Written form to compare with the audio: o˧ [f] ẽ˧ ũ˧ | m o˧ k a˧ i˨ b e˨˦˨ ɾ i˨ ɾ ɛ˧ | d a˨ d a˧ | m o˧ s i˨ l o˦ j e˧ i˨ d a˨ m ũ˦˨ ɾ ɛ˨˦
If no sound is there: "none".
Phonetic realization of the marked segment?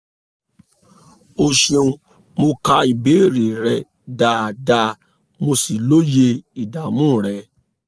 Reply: ʃ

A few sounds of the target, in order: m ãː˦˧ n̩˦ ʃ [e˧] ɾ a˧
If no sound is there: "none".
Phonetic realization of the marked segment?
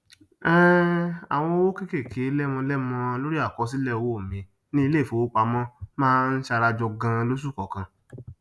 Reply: a˧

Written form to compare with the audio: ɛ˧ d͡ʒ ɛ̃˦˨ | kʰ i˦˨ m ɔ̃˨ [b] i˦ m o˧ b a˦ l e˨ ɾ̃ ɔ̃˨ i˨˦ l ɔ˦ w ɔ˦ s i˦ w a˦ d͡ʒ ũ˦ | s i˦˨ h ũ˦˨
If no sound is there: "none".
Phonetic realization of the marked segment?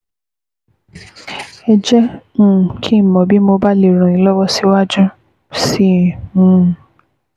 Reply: b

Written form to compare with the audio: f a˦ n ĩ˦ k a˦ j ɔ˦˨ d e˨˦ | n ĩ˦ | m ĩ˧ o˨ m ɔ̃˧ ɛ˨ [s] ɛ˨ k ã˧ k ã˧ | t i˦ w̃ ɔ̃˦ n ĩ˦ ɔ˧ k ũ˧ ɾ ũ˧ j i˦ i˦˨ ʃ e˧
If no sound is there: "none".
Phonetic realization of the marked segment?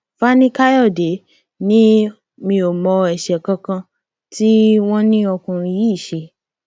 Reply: ʃ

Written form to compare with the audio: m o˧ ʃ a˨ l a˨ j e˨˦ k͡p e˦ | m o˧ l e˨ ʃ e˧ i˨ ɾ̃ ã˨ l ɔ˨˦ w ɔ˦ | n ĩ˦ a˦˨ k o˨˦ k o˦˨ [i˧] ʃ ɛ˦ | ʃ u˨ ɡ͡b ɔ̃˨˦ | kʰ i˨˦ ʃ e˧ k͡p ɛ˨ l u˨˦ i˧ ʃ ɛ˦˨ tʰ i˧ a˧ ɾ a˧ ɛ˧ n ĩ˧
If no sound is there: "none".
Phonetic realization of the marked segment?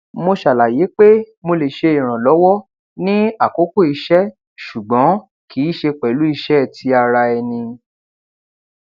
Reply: i˧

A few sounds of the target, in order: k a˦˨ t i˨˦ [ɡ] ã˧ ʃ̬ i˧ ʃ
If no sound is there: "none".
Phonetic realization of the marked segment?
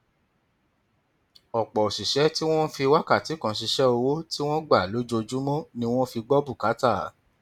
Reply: k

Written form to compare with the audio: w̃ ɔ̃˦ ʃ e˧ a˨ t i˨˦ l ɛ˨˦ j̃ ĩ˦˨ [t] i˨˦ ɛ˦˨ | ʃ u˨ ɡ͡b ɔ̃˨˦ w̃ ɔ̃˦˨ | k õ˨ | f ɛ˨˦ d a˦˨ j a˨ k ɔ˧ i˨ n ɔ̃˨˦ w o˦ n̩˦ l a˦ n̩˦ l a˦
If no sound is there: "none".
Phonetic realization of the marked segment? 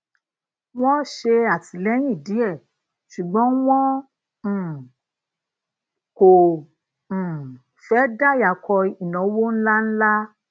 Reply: d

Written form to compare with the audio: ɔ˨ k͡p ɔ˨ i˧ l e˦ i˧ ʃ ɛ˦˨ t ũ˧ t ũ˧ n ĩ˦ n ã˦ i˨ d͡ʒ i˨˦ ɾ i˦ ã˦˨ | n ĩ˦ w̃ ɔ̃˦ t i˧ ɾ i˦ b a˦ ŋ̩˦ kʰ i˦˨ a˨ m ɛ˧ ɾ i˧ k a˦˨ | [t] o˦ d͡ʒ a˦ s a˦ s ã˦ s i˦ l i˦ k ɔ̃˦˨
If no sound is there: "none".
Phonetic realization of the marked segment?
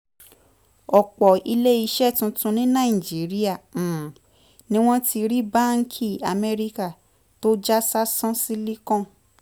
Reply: t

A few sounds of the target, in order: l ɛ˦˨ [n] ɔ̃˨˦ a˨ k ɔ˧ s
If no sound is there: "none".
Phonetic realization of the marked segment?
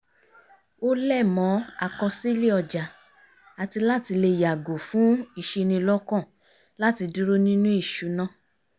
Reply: m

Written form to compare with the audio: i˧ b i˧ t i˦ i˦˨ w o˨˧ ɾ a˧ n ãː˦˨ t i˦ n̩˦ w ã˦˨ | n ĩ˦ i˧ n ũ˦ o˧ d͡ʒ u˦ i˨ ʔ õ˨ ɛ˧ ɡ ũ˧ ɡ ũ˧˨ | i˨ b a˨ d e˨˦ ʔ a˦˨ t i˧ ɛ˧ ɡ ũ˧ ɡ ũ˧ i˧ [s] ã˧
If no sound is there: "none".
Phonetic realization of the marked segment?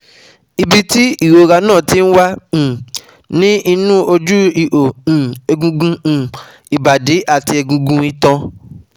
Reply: t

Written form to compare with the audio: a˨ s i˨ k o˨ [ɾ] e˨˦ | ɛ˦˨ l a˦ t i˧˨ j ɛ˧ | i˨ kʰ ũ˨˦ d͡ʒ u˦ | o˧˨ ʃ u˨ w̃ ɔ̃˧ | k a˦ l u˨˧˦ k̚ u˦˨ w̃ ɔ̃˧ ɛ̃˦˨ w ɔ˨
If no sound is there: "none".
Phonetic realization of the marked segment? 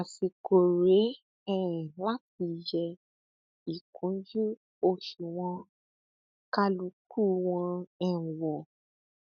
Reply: ɾ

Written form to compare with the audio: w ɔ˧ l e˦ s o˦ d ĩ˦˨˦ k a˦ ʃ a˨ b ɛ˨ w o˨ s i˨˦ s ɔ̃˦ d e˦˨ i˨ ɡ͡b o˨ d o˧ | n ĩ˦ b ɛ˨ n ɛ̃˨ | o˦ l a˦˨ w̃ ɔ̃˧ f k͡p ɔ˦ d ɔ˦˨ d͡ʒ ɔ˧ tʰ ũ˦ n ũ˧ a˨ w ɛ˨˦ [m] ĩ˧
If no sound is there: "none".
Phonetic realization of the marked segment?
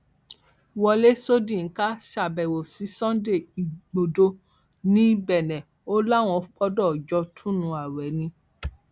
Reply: n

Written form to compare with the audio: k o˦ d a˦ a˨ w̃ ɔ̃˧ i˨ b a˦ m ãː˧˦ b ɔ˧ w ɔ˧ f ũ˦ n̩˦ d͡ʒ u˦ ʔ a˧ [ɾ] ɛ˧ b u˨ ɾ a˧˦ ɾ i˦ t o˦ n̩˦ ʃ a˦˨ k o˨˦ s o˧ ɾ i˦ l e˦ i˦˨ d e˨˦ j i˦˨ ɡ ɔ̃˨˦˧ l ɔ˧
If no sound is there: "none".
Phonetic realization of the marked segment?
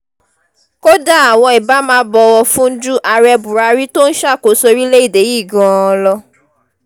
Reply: ɾ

